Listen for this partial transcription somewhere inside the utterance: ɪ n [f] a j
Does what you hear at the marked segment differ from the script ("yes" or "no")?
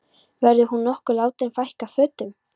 no